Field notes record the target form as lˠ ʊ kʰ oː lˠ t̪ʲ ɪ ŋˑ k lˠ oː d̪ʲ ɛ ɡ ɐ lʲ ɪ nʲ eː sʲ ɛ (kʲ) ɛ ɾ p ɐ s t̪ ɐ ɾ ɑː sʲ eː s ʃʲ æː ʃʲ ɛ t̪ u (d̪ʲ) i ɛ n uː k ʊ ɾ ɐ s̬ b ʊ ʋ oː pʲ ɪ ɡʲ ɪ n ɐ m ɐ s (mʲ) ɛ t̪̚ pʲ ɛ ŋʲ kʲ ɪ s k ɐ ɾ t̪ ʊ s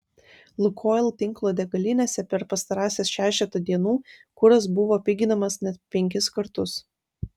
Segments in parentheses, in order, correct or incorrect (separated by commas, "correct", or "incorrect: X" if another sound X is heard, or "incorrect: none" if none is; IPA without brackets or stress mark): incorrect: pʲ, correct, incorrect: nʲ